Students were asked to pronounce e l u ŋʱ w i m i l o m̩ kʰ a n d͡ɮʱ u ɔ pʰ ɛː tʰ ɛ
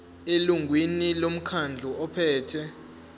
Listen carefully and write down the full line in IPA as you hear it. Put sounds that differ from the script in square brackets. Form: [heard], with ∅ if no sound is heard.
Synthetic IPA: e l u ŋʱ w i [n] i l o m̩ kʰ a n d͡ɮʱ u ɔ pʰ ɛː tʰ ɛ